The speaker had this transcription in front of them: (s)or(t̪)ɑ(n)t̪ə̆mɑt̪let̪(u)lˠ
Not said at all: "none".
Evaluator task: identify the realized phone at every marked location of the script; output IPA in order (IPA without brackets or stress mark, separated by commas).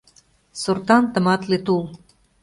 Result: s, t̪, n, u